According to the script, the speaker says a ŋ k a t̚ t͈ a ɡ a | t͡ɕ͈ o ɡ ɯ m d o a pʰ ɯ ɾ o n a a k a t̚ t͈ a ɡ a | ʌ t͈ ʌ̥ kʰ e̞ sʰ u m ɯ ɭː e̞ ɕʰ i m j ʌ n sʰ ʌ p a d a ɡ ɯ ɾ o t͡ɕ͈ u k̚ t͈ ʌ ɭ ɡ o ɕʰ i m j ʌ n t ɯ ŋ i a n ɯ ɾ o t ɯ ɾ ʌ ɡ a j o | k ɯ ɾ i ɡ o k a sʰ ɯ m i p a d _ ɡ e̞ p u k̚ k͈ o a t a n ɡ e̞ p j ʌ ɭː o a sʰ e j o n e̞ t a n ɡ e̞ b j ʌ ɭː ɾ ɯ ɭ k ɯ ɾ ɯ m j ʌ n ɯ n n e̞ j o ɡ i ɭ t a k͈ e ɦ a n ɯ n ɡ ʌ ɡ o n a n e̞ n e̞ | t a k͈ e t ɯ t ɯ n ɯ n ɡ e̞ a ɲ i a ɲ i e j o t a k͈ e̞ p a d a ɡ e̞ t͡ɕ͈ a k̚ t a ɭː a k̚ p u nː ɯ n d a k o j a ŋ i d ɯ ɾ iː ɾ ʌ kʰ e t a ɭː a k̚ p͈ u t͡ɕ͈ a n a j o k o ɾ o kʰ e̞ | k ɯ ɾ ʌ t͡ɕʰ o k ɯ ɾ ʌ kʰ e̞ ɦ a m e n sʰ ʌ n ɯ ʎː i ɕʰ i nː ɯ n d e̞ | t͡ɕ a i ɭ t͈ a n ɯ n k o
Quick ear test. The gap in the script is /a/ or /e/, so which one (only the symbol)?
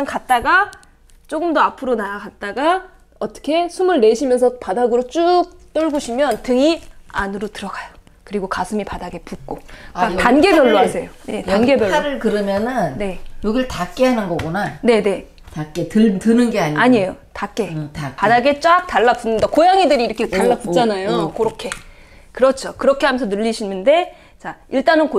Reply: a